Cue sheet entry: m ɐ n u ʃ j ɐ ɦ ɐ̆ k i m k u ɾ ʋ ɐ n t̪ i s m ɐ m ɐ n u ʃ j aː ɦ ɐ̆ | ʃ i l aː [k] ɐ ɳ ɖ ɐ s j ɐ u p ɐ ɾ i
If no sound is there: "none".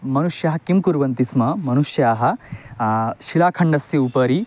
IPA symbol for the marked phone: kʰ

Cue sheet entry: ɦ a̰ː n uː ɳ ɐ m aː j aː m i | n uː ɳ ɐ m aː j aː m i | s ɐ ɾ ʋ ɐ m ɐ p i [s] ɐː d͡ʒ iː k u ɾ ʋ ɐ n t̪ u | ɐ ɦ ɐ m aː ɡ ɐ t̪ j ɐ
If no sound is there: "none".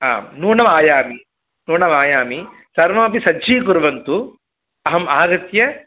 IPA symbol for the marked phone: s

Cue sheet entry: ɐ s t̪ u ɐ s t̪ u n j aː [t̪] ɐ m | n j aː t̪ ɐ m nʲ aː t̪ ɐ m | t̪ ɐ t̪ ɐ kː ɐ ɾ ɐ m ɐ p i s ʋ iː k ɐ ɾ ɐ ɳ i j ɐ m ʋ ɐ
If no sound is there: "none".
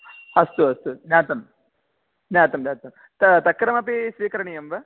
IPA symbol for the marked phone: t̪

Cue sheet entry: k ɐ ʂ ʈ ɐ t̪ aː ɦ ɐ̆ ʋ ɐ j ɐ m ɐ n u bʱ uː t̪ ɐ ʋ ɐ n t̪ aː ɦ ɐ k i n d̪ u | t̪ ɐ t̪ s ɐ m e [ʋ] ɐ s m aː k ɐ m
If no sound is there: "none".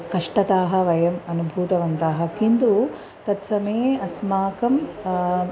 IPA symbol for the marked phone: none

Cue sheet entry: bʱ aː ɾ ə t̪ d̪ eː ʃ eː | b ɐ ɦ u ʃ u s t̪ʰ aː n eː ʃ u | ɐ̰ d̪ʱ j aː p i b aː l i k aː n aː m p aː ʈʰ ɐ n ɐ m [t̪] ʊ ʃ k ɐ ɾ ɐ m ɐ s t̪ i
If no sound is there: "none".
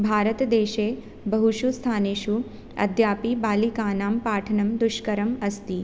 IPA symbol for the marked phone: d̪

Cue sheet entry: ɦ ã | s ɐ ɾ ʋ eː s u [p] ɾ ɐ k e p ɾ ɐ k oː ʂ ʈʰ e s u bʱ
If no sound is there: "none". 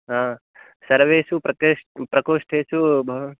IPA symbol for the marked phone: p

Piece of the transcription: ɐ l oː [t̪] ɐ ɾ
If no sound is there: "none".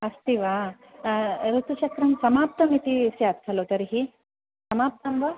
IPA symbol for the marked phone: t̪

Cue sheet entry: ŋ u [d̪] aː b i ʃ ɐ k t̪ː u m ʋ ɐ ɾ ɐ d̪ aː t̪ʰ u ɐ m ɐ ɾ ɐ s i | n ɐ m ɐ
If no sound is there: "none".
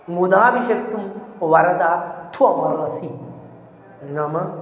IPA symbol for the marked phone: d̪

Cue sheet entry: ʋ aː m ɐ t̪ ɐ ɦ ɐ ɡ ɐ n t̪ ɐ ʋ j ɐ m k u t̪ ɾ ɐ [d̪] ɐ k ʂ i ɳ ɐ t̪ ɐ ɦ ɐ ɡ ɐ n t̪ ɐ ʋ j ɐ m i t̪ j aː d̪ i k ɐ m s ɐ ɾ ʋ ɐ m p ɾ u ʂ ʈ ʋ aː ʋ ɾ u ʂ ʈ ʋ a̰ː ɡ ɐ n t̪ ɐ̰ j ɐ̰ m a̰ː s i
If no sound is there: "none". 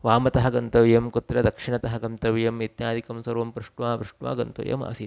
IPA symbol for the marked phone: d̪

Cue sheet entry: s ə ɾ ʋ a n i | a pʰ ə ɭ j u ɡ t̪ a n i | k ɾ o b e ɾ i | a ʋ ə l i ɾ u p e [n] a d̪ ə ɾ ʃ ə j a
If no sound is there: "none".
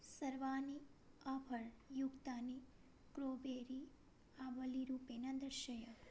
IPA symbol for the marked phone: n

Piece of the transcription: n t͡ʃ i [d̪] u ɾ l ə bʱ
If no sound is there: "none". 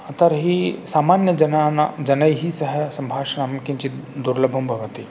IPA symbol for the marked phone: d̪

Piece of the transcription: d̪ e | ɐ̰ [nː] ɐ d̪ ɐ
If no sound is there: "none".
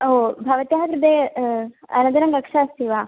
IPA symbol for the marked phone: n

